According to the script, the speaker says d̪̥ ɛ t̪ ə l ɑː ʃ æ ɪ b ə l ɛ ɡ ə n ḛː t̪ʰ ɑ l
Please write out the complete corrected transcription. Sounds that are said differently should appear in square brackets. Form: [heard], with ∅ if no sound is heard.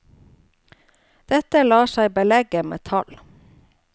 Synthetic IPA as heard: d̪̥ ɛ t̪ ə l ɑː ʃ æ ɪ b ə l ɛ ɡ ə [m] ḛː t̪ʰ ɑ l